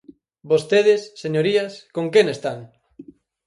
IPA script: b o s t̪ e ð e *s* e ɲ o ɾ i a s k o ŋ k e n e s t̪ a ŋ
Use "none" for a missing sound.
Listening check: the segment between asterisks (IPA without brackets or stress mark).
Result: sː